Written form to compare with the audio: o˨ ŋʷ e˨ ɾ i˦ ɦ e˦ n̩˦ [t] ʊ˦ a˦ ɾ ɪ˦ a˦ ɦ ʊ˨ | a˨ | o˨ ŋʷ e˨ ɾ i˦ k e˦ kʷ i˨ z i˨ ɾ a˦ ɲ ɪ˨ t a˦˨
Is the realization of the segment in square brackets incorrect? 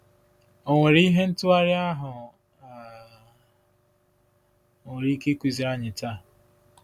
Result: no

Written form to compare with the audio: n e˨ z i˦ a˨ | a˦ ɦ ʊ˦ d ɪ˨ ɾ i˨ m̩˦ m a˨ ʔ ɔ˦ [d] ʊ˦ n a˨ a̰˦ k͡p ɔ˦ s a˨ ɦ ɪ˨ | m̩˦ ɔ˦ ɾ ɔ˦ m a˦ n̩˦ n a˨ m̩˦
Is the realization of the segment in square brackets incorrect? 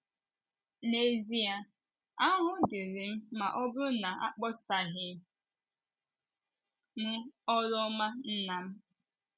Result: yes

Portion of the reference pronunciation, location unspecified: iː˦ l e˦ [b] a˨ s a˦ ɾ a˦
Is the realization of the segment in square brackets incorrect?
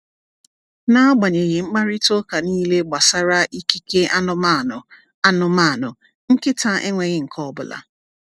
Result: yes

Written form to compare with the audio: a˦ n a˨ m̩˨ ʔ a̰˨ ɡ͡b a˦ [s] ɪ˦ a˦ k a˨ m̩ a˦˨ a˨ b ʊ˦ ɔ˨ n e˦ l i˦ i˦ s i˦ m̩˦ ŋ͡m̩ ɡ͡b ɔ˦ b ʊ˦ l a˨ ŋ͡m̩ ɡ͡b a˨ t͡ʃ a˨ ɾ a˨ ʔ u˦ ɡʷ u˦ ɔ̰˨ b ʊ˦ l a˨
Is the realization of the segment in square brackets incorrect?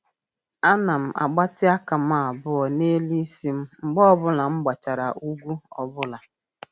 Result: yes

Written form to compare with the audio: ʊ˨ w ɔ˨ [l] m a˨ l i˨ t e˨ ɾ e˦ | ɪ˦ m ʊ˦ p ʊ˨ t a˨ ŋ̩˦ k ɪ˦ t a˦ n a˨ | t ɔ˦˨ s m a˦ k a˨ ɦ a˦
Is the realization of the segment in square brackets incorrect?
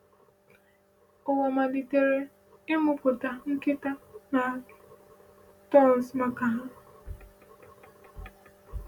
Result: yes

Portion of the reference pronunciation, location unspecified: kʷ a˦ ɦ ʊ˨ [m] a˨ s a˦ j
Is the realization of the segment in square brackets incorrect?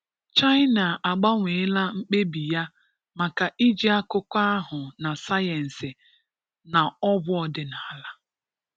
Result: yes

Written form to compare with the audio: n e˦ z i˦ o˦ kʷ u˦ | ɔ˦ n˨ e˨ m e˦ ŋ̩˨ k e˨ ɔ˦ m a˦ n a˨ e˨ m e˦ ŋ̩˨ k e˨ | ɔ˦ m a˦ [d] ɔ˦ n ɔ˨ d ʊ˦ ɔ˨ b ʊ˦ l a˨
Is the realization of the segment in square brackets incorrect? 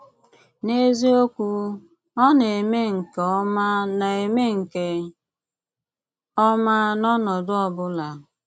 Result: yes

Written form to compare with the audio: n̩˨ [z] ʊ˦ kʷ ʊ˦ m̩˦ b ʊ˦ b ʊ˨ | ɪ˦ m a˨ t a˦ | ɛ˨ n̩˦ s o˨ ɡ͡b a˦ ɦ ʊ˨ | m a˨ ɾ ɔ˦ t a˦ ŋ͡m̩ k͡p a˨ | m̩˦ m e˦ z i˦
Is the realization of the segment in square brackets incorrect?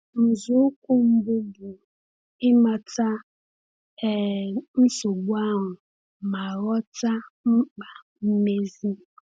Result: no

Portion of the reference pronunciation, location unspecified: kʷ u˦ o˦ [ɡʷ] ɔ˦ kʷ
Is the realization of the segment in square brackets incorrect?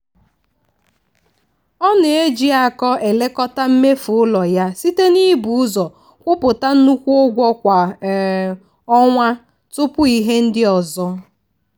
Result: no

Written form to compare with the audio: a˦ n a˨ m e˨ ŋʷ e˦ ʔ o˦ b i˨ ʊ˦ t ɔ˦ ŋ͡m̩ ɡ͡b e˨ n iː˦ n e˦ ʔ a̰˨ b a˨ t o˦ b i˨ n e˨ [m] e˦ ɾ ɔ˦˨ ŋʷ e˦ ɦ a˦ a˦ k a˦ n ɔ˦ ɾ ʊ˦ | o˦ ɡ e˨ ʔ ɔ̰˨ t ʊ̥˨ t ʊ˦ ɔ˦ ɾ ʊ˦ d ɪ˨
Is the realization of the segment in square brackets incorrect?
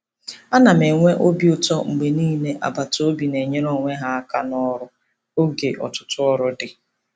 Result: yes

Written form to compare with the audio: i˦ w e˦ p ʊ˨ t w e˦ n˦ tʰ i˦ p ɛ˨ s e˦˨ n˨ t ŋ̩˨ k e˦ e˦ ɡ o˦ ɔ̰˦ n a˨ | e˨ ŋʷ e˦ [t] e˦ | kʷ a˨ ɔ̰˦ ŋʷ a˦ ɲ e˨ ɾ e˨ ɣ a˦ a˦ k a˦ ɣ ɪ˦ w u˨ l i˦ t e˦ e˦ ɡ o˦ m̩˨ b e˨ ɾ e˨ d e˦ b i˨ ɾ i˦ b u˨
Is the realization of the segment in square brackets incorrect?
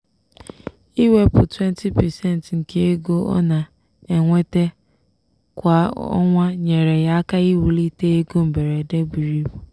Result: no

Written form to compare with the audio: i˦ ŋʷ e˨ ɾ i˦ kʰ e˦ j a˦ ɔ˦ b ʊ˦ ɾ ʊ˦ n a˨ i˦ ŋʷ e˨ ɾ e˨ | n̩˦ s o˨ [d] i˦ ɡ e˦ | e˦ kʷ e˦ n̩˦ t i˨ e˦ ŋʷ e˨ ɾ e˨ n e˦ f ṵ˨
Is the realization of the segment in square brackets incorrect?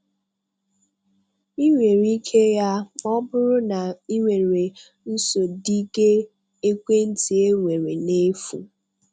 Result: no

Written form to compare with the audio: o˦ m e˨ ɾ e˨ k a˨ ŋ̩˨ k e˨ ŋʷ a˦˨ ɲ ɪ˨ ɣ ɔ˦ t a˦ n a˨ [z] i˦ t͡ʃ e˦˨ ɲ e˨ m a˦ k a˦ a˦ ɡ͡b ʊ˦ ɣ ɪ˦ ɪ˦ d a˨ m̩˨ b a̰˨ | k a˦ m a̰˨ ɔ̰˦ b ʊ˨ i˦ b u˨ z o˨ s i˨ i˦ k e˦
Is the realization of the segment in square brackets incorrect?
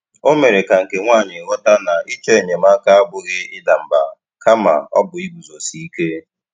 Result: yes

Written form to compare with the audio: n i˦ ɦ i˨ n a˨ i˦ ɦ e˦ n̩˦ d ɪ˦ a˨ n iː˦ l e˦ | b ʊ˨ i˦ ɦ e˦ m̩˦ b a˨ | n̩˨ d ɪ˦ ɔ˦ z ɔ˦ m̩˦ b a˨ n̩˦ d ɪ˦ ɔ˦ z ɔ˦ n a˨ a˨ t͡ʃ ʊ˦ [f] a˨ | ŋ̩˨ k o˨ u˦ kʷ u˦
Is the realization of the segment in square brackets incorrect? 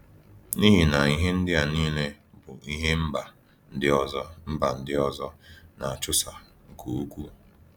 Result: yes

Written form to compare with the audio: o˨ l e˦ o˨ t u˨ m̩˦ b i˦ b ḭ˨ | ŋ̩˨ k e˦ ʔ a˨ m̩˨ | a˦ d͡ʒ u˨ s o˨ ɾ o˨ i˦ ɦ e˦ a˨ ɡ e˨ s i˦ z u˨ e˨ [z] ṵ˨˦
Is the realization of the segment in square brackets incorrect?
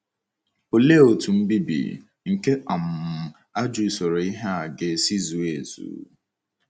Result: no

